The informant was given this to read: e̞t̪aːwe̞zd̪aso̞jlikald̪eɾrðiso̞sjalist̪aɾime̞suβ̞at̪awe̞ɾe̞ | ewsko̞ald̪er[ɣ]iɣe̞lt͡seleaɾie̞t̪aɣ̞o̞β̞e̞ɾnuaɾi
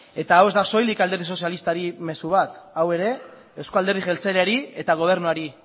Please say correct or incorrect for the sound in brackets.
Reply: incorrect